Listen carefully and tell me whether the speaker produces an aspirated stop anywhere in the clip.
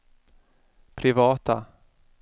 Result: yes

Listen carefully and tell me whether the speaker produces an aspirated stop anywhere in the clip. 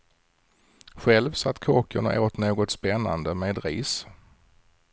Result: yes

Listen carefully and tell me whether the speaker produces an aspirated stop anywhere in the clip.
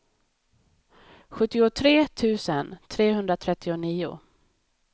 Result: yes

